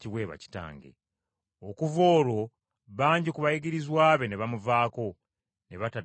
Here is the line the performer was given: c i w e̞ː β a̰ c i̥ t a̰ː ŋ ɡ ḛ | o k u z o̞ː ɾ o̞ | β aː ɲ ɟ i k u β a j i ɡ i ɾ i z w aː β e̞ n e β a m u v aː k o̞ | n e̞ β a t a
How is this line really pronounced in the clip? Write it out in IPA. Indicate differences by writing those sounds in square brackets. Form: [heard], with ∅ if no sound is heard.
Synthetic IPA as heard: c i w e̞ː β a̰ c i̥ t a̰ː ŋ ɡ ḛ | o k u [v] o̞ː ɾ o̞ | β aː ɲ ɟ i k u β a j i ɡ i ɾ i z w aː β e̞ n e β a m u v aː k o̞ | n e̞ β a t a